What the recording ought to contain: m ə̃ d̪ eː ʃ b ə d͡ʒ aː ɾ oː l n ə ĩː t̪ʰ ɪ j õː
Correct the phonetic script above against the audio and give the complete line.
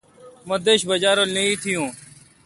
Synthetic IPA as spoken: m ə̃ d̪ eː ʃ b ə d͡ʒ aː ɾ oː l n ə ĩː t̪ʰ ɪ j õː